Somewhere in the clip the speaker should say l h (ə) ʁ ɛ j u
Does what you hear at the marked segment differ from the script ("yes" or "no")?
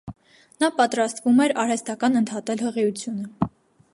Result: no